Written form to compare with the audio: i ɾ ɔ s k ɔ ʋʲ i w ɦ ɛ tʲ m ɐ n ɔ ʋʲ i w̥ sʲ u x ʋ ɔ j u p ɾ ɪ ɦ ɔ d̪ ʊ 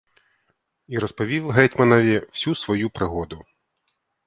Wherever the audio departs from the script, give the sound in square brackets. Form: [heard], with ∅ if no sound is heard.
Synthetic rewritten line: i ɾ ɔ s [p] ɔ ʋʲ i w ɦ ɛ tʲ m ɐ n ɔ ʋʲ i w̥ sʲ u [s] ʋ ɔ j u p ɾ ɪ ɦ ɔ d̪ ʊ